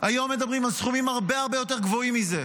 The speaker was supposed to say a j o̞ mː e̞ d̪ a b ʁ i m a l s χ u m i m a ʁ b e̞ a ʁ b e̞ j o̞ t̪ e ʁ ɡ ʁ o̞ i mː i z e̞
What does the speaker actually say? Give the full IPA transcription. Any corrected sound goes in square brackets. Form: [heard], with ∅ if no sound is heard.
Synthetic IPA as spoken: a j o̞ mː e̞ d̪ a b ʁ i m a l s χ u m i m a ʁ b e̞ a ʁ b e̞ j o̞ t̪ e ʁ ɡ [v] o̞ i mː i z e̞